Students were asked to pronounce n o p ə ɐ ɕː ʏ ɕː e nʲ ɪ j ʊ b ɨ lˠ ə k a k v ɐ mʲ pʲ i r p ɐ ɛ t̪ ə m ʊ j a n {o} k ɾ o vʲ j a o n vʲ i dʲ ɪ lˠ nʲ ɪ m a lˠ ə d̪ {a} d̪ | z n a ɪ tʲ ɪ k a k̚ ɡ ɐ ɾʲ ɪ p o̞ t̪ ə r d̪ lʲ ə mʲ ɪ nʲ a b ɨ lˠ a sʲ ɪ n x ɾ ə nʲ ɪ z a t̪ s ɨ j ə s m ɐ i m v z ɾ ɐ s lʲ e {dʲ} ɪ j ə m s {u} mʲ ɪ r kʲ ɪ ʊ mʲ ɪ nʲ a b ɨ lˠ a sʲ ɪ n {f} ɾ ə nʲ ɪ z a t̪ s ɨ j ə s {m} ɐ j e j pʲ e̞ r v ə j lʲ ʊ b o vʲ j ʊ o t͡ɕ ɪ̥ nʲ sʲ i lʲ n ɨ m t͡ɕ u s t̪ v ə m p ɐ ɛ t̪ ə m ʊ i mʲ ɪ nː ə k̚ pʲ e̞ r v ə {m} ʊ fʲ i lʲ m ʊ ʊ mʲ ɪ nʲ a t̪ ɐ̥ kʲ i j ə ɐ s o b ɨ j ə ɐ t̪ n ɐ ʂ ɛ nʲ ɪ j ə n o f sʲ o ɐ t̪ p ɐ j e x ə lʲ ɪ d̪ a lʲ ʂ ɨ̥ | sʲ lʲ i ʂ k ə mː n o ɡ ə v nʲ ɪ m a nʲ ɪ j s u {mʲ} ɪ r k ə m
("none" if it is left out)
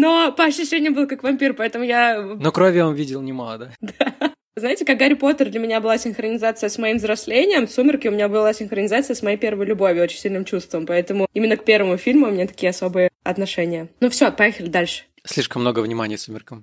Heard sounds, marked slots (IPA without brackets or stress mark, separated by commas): o, a, nʲ, u, x, m, m, mʲ